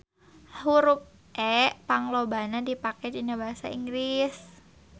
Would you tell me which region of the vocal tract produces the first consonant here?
throat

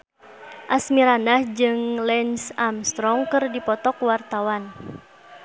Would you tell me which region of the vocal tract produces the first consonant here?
throat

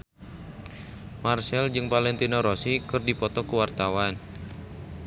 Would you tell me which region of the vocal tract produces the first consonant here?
lips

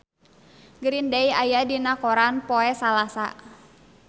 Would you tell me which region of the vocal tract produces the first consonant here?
velum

